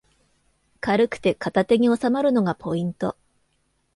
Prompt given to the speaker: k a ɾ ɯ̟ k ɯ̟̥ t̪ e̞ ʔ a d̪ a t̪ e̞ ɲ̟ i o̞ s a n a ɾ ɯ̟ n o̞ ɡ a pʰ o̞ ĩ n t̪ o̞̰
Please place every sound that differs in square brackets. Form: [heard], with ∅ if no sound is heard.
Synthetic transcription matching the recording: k a ɾ ɯ̟ k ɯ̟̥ t̪ e̞ [k] a [t̪] a t̪ e̞ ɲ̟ i o̞ s a [m] a ɾ ɯ̟ n o̞ ɡ a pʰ o̞ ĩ n t̪ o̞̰